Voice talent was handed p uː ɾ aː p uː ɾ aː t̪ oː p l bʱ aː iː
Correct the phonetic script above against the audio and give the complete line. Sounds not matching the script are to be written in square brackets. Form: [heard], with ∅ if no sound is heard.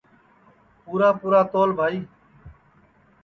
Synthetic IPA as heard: p uː ɾ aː p uː ɾ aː t̪ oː [∅] l bʱ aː iː